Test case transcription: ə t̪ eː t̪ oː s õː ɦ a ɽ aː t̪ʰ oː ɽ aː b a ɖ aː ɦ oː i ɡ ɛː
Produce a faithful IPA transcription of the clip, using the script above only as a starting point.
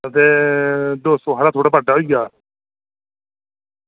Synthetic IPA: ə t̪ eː d̪ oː s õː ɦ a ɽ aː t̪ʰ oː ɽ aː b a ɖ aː ɦ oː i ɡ aː